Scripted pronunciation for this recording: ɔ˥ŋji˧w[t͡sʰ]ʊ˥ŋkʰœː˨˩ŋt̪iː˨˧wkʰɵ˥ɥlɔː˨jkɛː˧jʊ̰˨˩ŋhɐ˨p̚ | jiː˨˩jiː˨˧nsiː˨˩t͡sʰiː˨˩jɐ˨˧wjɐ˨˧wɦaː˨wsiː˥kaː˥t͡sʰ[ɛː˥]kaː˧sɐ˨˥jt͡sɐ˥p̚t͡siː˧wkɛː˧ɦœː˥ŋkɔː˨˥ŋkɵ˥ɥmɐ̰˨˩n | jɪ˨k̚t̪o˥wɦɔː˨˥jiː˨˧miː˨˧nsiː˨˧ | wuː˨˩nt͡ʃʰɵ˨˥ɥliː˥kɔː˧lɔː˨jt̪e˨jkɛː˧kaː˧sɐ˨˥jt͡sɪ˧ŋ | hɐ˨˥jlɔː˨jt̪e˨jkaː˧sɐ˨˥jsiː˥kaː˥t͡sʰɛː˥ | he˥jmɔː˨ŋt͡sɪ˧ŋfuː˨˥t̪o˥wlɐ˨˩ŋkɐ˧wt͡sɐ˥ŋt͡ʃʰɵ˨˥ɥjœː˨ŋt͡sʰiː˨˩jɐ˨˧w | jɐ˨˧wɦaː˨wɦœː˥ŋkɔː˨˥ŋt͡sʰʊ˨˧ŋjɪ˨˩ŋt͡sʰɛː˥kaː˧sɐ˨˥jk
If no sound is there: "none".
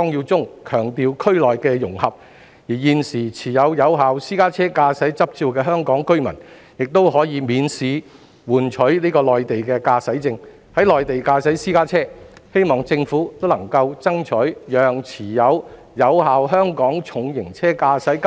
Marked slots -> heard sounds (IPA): t͡s, ɛː˥

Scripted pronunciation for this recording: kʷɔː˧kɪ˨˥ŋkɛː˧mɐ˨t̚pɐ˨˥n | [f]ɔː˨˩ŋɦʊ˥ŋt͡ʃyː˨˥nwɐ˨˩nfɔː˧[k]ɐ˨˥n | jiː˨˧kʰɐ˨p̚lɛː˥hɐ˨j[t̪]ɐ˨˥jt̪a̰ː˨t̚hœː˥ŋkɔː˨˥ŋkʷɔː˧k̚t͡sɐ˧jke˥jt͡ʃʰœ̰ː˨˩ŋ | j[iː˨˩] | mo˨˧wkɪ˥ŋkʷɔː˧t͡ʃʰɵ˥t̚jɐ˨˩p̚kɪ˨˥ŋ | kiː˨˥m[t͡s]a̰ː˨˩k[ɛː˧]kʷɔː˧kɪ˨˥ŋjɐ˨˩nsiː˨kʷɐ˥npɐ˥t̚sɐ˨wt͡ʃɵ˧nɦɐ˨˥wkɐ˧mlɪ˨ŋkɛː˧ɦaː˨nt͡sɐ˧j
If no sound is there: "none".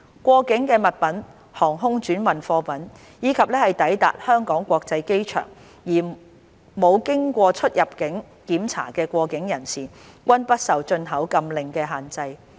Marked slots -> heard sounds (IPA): h, p, t̪, iː˨˩, t͡sʰ, ɛː˧

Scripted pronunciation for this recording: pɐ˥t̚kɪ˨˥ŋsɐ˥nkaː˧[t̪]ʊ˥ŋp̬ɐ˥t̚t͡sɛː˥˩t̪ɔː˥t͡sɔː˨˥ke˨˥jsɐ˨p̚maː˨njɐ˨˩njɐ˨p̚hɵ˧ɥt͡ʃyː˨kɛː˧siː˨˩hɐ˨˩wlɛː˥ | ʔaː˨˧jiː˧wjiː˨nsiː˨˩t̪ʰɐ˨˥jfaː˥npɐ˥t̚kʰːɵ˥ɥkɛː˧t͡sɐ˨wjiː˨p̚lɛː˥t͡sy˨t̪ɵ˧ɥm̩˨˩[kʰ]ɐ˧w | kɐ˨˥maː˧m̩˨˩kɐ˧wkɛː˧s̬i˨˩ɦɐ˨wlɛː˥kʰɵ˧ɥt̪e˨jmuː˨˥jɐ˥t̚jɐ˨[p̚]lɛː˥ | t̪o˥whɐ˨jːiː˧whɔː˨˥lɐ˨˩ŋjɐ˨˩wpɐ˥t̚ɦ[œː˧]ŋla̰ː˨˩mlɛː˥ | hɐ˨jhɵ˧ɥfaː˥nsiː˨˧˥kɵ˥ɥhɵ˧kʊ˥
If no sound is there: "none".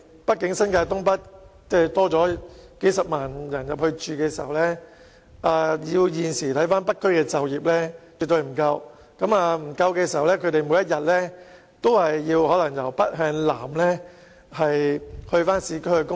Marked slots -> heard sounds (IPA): t̪, k, t̚, œː˧

